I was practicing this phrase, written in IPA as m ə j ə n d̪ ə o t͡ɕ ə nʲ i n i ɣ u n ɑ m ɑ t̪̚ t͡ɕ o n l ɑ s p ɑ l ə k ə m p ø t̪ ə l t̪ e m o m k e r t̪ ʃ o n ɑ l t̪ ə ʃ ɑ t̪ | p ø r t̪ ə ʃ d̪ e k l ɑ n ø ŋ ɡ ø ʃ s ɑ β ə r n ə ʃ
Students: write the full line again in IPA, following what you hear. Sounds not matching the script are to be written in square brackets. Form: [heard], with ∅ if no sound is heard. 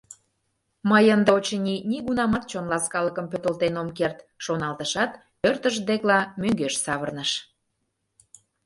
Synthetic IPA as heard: m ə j ə n d̪ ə o t͡ɕ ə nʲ i n i ɣ u n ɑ m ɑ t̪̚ t͡ɕ o n l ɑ s [k] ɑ l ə k ə m p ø t̪ ə l t̪ e [n] o m k e r t̪ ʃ o n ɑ l t̪ ə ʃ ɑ t̪ | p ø r t̪ ə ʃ d̪ e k l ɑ [m] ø ŋ ɡ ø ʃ s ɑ β ə r n ə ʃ